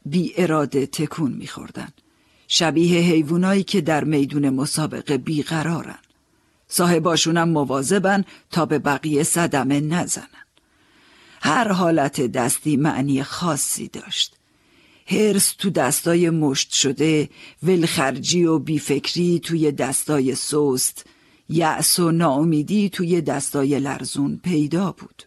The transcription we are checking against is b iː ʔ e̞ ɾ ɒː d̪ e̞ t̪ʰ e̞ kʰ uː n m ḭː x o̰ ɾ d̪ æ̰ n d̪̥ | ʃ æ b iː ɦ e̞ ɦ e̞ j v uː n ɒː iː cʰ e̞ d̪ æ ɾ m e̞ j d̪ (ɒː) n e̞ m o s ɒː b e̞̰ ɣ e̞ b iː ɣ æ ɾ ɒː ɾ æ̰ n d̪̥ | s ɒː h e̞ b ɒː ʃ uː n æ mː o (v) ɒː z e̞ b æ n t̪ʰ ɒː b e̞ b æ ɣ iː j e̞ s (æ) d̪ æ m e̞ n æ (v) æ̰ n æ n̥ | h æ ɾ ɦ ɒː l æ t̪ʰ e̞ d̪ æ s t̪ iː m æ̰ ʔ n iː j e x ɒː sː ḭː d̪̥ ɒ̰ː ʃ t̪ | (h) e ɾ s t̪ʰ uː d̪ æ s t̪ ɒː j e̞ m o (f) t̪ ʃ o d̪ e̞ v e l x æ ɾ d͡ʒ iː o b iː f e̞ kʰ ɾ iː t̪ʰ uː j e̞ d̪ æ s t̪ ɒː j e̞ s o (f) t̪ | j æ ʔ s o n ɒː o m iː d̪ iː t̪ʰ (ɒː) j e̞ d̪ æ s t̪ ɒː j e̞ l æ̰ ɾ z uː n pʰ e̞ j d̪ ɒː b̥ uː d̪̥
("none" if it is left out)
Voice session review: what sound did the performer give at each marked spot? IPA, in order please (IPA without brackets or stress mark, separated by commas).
uː, v, æ, z, h, ʃ, s, uː